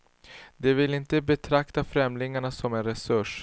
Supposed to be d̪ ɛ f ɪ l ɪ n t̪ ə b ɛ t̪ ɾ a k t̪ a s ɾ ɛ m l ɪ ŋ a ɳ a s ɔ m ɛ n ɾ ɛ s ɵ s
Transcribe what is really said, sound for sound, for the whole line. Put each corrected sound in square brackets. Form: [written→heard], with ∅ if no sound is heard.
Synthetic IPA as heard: d̪ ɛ [f→v] ɪ l ɪ n t̪ ə b ɛ [t̪→t̪ʰ] ɾ a k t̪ a [s→f] ɾ ɛ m l ɪ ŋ a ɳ a s ɔ m ɛ n ɾ ɛ s ɵ [s→ʂ]